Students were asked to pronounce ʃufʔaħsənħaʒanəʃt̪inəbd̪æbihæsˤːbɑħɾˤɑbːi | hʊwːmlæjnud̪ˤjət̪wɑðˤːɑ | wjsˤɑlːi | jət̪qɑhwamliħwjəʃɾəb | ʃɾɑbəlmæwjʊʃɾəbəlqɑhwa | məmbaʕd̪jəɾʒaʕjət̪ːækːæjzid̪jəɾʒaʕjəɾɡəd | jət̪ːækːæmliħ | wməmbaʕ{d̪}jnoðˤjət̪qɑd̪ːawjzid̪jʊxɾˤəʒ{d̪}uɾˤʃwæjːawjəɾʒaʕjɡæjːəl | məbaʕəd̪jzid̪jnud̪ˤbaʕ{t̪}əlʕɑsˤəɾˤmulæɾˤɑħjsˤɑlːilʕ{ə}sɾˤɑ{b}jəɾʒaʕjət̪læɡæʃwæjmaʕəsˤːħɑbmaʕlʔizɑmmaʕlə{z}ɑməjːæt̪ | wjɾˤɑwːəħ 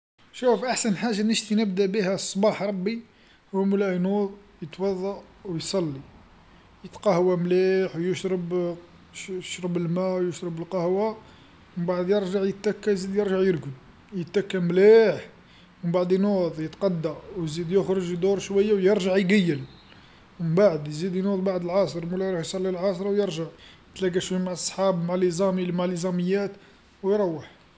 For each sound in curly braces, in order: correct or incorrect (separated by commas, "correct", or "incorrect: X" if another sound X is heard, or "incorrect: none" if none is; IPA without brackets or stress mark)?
correct, correct, incorrect: d̪, incorrect: ɑ, incorrect: w, correct